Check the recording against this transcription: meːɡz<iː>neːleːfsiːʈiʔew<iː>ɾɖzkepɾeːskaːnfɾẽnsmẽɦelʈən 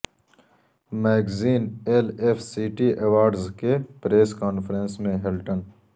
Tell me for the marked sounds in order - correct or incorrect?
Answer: correct, incorrect: aː

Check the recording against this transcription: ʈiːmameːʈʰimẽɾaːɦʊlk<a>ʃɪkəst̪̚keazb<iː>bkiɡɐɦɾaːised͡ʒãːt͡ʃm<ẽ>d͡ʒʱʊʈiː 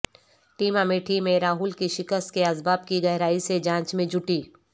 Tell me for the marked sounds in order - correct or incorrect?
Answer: incorrect: i, incorrect: aː, correct

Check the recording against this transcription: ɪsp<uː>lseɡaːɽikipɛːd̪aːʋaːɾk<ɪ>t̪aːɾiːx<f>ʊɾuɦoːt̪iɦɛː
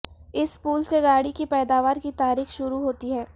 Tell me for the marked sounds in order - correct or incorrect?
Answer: correct, incorrect: i, incorrect: ʃ

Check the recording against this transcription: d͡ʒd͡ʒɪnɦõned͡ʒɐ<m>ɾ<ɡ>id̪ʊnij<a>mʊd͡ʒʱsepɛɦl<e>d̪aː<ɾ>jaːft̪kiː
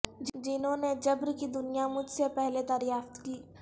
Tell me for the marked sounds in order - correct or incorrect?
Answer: incorrect: b, incorrect: k, correct, correct, correct

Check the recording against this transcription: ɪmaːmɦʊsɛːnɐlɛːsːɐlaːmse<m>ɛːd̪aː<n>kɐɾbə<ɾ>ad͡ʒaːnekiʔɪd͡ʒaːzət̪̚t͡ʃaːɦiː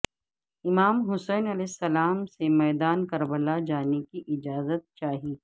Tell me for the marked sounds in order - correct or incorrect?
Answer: correct, correct, incorrect: l

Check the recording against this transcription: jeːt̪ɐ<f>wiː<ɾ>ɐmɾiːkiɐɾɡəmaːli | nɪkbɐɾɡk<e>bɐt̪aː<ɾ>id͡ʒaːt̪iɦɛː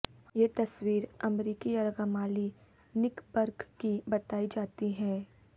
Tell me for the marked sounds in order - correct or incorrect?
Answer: incorrect: s, correct, incorrect: i, incorrect: none

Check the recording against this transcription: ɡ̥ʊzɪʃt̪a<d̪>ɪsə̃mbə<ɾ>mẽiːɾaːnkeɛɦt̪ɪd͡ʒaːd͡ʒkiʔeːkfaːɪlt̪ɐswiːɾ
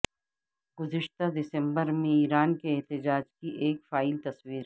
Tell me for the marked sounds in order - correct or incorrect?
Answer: correct, correct

